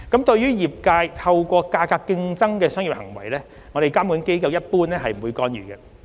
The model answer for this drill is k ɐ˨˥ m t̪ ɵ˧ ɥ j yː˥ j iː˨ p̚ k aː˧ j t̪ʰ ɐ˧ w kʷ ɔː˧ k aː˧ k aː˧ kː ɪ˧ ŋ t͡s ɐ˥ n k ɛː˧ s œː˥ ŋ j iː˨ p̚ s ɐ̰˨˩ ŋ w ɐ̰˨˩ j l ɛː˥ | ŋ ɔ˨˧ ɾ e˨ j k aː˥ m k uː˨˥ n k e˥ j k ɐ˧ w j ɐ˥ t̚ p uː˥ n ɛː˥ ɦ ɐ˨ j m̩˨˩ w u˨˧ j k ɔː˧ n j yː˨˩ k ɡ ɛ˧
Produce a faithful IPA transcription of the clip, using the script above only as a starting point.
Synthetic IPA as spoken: k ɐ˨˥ m t̪ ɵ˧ ɥ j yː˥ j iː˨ p̚ k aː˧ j t̪ʰ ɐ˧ w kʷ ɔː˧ k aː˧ k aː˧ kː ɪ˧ ŋ t͡s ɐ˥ ŋ k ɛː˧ s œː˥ ŋ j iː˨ p̚ h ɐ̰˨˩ ŋ w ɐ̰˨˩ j l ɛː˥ | ŋ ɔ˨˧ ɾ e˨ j k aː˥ m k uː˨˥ n k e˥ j k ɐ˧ w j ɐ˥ t̚ p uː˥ n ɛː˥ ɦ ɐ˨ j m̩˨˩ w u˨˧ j k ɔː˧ n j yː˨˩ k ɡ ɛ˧

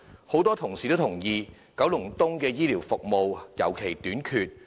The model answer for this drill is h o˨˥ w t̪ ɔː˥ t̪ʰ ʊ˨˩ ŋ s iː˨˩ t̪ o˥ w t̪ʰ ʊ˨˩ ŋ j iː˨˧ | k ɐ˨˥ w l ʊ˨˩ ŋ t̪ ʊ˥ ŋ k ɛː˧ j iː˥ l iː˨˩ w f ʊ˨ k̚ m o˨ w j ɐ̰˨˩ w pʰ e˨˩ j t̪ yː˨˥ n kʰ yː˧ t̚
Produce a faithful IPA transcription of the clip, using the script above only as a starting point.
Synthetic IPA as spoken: h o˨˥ w t̪ ɔː˥ t̪ʰ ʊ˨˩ ŋ s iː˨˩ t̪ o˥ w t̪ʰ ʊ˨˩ ŋ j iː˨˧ | k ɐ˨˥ w l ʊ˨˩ ŋ t̪ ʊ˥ ŋ k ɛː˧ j iː˥ l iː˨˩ w f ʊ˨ k̚ m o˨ w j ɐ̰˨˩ w kʰ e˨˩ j t̪ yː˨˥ n kʰ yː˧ t̚

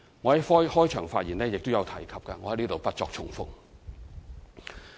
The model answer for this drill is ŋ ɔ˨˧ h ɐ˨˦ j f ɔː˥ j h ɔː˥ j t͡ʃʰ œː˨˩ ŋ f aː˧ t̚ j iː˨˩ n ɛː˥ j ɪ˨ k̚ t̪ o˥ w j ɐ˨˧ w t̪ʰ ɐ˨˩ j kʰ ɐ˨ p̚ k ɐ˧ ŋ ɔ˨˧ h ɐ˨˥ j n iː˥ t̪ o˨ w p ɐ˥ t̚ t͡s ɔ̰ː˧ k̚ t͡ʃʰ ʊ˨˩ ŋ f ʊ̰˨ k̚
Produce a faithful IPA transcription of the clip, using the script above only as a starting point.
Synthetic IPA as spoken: ŋ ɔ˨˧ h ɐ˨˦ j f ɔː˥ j h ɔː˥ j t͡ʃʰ œː˨˩ ŋ f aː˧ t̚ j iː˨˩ n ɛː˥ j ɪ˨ k̚ t̪ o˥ w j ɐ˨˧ w t̪ʰ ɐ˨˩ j kʰ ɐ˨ p̚ k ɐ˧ ŋ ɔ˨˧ h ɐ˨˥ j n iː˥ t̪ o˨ w p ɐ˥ t̚ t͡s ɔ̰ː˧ k̚ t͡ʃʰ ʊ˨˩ ŋ f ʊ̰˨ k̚

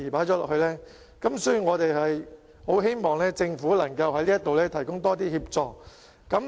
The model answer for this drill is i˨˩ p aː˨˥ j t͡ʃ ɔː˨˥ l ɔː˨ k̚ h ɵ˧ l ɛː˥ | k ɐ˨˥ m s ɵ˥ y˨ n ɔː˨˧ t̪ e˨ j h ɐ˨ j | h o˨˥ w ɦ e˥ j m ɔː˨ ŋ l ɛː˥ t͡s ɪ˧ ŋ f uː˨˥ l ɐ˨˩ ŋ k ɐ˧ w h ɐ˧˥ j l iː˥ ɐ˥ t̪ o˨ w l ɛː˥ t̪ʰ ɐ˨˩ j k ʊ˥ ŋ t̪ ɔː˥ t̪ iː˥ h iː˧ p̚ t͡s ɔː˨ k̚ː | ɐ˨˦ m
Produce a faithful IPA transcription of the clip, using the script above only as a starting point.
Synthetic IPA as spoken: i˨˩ p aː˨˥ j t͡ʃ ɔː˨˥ l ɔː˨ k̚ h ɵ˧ l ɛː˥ | k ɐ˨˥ m s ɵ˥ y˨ ŋ ɔː˨˧ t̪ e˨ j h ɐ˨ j | h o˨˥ w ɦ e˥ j m ɔː˨ ŋ l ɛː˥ t͡s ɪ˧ ŋ f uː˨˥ l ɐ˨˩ ŋ k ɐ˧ w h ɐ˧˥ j l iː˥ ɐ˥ t̪ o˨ w l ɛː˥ t̪ʰ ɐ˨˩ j k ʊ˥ ŋ t̪ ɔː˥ t̪ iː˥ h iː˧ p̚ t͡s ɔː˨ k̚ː | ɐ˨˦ m

